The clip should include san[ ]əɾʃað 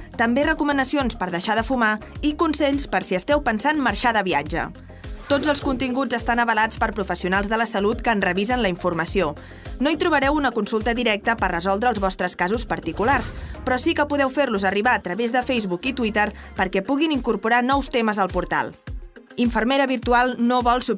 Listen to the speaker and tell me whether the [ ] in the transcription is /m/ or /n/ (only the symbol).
m